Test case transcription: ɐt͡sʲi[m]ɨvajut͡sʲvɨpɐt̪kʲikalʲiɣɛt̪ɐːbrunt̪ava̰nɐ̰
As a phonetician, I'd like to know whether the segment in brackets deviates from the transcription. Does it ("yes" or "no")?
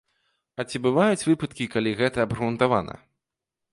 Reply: yes